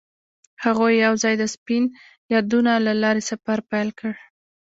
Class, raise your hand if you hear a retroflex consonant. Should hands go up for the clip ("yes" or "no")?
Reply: yes